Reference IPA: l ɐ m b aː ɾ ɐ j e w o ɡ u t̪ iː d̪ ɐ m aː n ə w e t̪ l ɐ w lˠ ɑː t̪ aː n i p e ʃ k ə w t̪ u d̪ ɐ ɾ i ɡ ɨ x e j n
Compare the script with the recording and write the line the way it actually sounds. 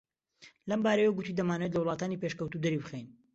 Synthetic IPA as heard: l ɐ m b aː ɾ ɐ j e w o ɡ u t̪ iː d̪ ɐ m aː n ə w e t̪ l ɐ w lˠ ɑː t̪ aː n i p e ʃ k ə w t̪ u d̪ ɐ ɾ i b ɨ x e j n